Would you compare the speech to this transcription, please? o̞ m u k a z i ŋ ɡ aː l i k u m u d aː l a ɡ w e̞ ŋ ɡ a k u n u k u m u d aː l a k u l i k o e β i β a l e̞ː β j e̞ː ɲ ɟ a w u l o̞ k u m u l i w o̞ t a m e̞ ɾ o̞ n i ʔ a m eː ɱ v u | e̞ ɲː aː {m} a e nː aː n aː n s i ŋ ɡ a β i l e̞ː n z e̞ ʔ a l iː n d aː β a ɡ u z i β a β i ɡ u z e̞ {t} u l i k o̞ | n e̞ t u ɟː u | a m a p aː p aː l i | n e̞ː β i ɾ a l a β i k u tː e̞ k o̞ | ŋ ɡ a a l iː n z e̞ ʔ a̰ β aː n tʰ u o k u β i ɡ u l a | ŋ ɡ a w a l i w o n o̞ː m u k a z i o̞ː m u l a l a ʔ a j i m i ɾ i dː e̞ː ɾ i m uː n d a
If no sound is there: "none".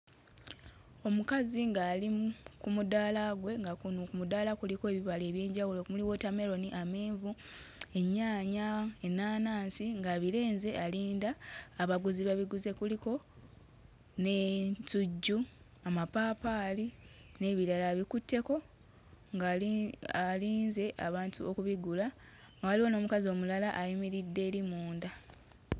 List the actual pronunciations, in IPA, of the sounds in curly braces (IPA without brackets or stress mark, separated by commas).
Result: ɲ, k